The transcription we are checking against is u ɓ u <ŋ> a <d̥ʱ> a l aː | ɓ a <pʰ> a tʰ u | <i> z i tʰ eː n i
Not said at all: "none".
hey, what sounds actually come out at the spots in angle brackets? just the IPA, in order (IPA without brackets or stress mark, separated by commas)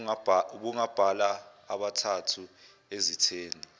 ŋ, b̥ʱ, tʰ, e